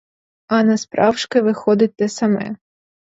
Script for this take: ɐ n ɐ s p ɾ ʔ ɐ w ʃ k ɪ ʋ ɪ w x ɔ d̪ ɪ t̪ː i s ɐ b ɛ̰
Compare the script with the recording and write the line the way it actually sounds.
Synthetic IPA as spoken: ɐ n ɐ s p ɾ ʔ ɑ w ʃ k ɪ ʋ ɪ x ɔ d̪ ɪ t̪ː ɛ s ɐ m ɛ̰